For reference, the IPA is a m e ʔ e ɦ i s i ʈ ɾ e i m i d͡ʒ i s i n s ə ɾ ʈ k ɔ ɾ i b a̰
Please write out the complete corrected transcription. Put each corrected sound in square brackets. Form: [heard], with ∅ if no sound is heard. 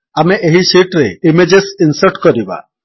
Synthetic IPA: a m e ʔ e ɦ i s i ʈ ɾ e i m [e] d͡ʒ [e] s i n s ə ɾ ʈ k ɔ ɾ i b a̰